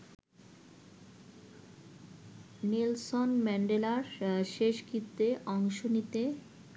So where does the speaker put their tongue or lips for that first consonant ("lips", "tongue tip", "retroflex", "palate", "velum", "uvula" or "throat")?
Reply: tongue tip